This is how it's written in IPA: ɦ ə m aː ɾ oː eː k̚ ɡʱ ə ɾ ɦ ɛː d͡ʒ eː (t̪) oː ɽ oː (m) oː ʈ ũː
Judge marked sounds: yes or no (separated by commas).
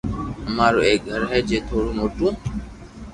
no, yes